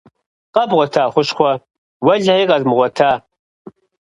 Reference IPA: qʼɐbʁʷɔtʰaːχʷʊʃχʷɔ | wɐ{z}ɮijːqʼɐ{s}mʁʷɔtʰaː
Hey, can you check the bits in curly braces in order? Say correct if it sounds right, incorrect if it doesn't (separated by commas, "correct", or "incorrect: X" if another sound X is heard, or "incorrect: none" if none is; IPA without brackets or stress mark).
incorrect: none, incorrect: z